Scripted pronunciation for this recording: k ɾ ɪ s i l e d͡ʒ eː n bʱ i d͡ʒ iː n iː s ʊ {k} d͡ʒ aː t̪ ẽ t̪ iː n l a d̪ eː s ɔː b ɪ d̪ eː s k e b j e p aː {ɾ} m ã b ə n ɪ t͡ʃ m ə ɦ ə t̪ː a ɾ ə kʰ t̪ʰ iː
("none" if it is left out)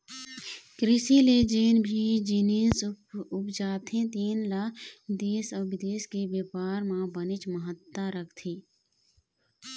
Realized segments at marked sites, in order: p, ɾ

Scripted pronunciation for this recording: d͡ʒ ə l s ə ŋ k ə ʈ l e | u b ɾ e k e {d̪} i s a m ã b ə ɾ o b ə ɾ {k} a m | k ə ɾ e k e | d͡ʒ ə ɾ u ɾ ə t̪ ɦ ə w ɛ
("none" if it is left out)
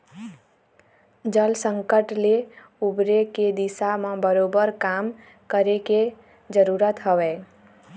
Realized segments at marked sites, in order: d̪, k

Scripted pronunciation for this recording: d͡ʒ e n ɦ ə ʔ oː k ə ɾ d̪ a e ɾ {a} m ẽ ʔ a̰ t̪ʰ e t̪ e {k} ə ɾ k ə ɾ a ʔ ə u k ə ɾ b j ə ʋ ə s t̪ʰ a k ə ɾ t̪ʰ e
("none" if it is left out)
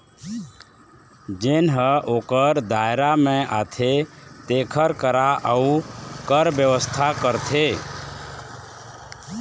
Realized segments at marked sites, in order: a, kʰ

